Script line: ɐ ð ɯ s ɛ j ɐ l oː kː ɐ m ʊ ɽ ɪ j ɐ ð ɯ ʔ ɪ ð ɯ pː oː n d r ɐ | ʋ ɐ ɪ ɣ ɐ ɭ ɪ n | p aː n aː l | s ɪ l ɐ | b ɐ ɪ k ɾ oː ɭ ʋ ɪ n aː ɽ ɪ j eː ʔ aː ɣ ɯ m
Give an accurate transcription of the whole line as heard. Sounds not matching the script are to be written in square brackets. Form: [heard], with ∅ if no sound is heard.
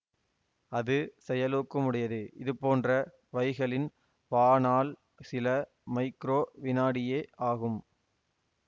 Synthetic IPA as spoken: ɐ ð ɯ s ɛ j ɐ l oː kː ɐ m ʊ ɽ ɪ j ɐ ð ɯ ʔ ɪ ð ɯ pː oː n d r ɐ | ʋ ɐ ɪ ɣ ɐ ɭ ɪ n | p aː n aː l | s ɪ l ɐ | [m] ɐ ɪ k ɾ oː [∅] ʋ ɪ n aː ɽ ɪ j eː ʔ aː ɣ ɯ m